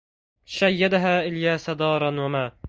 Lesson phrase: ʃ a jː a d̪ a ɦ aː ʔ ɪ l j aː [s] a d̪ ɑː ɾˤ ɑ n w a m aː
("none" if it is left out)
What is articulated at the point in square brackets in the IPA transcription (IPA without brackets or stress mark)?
s